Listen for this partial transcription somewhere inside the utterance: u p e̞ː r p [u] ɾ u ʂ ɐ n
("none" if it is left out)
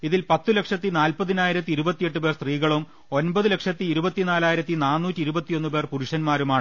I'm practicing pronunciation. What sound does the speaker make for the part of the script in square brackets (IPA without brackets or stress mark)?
u